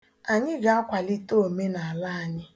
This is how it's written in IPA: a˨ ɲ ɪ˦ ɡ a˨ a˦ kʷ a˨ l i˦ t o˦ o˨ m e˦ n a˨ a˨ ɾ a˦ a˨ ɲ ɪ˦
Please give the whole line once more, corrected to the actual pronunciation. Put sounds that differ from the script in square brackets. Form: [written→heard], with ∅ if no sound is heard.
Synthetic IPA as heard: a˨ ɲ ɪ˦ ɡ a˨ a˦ kʷ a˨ l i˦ t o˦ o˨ m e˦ n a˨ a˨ [ɾ→l] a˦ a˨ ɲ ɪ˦